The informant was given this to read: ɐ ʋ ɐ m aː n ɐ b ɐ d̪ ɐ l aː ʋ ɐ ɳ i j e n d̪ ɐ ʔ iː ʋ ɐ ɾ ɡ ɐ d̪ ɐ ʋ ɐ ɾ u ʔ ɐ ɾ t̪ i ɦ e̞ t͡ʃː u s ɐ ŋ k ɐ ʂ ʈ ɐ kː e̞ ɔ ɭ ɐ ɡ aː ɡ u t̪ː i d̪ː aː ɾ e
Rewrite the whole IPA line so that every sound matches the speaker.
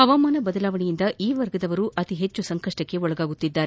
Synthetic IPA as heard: ɐ ʋ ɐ m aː n ɐ b ɐ d̪ ɐ l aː ʋ ɐ ɳ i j i n d̪ ɐ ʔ iː ʋ ɐ ɾ ɡ ɐ d̪ ɐ ʋ ɐ ɾ u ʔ ɐ t̪ i ɦ e̞ t͡ʃː u s ɐ ŋ k ɐ ʂ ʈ ɐ kː e̞ ɔ ɭ ɐ ɡ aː ɡ u t̪ː i d̪ː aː ɾ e